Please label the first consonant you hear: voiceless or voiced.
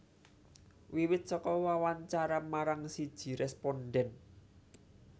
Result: voiced